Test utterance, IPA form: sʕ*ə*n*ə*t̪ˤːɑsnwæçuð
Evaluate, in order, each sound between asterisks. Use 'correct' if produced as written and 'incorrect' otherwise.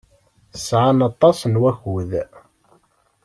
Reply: incorrect: a, incorrect: ɑ

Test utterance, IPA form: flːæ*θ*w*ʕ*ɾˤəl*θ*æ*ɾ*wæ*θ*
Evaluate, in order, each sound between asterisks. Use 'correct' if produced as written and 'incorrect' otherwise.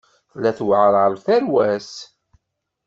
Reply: correct, correct, correct, correct, incorrect: s

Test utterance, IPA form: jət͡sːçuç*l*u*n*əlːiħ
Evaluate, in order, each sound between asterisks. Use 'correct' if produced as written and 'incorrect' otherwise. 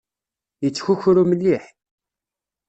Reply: incorrect: ɾ, incorrect: m

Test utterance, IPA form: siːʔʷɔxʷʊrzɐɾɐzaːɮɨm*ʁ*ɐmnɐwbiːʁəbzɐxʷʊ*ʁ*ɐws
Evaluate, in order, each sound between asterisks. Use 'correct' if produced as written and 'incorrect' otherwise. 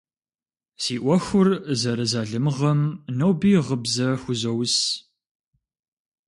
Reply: correct, incorrect: z

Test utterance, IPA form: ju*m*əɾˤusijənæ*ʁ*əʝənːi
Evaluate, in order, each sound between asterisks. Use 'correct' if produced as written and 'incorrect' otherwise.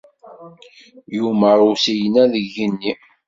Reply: correct, incorrect: ð

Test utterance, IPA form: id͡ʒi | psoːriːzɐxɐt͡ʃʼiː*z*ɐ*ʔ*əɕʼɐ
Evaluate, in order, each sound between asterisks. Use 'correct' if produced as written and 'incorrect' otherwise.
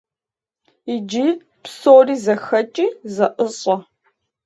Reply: correct, correct

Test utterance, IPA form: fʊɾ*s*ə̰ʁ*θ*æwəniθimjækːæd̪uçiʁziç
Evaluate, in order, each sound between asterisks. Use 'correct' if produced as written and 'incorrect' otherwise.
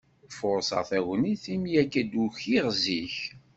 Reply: correct, correct

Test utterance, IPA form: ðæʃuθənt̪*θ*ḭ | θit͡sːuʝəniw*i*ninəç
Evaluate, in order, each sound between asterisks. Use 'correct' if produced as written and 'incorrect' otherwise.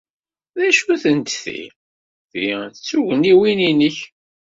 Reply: correct, correct

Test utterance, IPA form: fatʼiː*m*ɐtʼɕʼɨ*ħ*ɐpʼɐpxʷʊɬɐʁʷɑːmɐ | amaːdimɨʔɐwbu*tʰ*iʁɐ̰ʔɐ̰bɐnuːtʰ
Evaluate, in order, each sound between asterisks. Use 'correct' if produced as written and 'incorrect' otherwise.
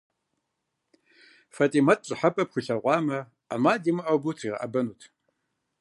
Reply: correct, correct, correct

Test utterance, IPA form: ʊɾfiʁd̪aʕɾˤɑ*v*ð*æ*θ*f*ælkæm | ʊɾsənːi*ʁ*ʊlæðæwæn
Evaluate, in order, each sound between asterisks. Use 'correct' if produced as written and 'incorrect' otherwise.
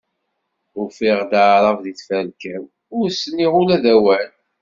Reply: correct, incorrect: i, correct, correct

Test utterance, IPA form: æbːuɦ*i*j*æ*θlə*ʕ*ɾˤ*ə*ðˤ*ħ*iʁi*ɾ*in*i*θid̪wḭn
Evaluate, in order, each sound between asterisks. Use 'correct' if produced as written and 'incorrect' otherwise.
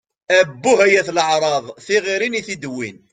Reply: incorrect: æ, correct, correct, incorrect: ɑ, incorrect: θ, correct, correct

